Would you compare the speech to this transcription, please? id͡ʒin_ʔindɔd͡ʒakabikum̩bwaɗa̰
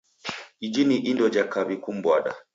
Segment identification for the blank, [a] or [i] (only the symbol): i